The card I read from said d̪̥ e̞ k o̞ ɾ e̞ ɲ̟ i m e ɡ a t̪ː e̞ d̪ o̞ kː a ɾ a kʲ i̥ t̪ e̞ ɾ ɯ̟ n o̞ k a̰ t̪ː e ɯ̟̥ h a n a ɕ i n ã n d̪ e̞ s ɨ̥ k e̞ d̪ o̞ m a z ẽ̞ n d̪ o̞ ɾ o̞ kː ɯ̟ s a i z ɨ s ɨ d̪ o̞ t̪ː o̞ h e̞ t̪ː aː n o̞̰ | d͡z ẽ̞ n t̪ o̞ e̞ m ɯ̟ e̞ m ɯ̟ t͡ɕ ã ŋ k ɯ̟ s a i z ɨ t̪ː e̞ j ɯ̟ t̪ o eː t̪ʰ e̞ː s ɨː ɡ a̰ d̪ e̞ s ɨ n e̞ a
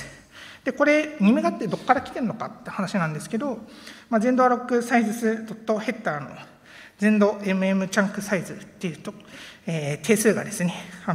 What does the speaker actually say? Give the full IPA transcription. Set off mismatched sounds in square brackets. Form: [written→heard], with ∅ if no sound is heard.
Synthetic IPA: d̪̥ e̞ k o̞ ɾ e̞ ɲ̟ i m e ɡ a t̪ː e̞ d̪ o̞ kː a ɾ a kʲ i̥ t̪ e̞ ɾ ɯ̟ n o̞ k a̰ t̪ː e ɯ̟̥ h a n a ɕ i n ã n d̪ e̞ s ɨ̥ k e̞ d̪ o̞ m a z ẽ̞ n d̪ o̞ ɾ o̞ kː ɯ̟ s a i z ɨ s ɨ d̪ o̞ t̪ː o̞ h e̞ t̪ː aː n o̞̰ | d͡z ẽ̞ n [t̪→d̪] o̞ e̞ m ɯ̟ e̞ m ɯ̟ t͡ɕ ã ŋ k ɯ̟ s a i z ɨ t̪ː e̞ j ɯ̟ t̪ o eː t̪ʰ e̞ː s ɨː ɡ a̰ d̪ e̞ s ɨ n e̞ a